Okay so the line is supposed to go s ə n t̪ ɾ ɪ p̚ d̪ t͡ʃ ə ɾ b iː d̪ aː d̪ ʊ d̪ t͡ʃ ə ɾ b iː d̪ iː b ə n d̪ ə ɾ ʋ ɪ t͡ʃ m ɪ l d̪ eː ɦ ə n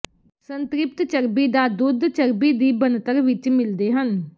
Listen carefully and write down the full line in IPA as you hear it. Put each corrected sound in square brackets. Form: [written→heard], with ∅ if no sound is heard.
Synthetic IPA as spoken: s ə n t̪ ɾ ɪ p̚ [d̪→t̪] t͡ʃ ə ɾ b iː d̪ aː d̪ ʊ d̪ t͡ʃ ə ɾ b iː d̪ iː b ə n [d̪→t̪] ə ɾ ʋ ɪ t͡ʃ m ɪ l d̪ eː ɦ ə n